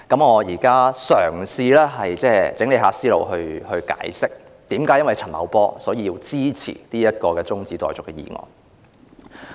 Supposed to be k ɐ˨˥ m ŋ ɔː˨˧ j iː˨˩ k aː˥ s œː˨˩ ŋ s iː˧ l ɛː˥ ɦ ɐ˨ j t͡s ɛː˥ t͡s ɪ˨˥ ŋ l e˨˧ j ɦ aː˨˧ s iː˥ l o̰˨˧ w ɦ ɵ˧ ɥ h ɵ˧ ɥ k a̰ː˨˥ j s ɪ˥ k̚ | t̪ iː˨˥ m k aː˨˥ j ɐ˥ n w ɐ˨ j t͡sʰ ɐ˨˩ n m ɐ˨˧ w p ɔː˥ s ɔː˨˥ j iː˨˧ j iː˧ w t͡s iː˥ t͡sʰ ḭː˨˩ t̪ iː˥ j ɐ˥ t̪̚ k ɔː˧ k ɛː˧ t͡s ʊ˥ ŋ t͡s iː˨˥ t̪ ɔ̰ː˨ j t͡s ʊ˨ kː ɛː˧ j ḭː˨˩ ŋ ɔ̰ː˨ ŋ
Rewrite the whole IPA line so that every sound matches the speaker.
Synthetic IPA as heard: k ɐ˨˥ m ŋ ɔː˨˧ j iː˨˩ k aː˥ s œː˨˩ ŋ s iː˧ l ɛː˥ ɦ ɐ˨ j t͡s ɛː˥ t͡s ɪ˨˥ ŋ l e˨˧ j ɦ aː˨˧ s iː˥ l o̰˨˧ w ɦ ɵ˧ ɥ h ɵ˧ ɥ k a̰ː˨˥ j s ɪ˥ k̚ | t̪ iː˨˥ m k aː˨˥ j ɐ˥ n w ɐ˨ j t͡sʰ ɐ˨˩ n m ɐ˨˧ w p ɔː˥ s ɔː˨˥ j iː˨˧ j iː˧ w t͡s iː˥ t͡sʰ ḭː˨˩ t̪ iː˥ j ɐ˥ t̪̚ k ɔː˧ k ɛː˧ t͡s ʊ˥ ŋ t͡s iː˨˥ t̪ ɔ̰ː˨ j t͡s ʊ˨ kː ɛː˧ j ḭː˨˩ ŋ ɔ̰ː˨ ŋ